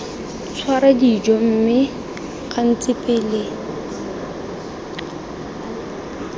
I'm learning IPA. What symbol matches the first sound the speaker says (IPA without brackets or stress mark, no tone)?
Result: t͡sʰ